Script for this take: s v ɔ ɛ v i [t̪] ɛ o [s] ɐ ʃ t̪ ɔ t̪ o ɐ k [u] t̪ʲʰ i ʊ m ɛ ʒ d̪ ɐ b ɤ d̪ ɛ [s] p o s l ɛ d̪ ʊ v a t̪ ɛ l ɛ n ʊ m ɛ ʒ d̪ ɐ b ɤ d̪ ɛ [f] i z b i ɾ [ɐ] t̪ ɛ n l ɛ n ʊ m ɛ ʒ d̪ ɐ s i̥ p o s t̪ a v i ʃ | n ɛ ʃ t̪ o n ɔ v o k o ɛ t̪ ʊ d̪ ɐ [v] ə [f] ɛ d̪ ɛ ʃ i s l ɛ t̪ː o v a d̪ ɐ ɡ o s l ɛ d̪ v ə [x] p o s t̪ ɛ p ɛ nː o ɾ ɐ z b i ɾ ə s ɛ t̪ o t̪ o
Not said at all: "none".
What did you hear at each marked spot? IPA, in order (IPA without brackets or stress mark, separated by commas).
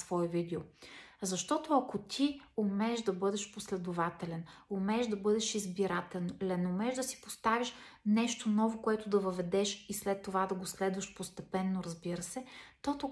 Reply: d̪, z, o, ʃ, ʃ, a, v, v, ʃ